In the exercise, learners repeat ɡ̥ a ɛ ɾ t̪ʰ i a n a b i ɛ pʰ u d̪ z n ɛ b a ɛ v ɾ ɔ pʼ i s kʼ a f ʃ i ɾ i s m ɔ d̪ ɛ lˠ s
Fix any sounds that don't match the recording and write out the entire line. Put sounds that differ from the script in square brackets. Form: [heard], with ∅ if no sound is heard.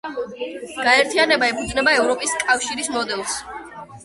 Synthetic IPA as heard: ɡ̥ a ɛ ɾ t̪ʰ i a n [ɛ] b [a] ɛ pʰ u d̪ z n ɛ b a ɛ v ɾ ɔ pʼ i s kʼ a f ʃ i ɾ i s m ɔ d̪ ɛ lˠ s